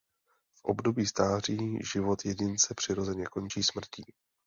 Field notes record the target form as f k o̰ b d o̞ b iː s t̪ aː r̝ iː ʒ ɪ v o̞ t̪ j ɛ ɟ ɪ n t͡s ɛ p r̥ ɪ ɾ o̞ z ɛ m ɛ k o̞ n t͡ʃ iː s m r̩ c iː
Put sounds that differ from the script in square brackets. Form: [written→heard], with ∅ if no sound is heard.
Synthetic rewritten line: f [k→ʔ] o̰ b d o̞ b iː s t̪ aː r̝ iː ʒ ɪ v o̞ t̪ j ɛ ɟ ɪ n t͡s ɛ p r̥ ɪ ɾ o̞ z ɛ [m→ɲ] ɛ k o̞ n t͡ʃ iː s m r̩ c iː